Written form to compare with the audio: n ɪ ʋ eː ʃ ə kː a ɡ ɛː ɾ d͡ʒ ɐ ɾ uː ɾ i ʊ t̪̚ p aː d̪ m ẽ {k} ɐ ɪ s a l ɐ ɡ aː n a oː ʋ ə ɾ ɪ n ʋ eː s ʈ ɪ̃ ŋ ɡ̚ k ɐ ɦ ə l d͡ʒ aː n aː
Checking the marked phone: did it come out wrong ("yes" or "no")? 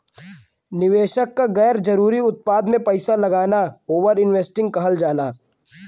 yes